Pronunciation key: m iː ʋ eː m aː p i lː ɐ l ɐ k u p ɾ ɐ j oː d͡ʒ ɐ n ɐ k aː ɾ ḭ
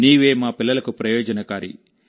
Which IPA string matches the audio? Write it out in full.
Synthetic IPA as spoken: n iː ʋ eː m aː p i lː ɐ l ɐ k u p ɾ ɐ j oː d͡ʒ ɐ n ɐ k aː ɾ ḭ